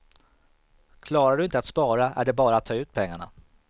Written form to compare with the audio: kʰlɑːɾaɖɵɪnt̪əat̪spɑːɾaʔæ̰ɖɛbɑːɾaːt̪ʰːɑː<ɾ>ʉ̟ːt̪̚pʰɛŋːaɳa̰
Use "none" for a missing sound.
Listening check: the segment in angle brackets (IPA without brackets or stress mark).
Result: none